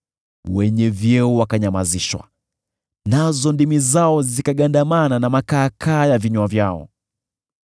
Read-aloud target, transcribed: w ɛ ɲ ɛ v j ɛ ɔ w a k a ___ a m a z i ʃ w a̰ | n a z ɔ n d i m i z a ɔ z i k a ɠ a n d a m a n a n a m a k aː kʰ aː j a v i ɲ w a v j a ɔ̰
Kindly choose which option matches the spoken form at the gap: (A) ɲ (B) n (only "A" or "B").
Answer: A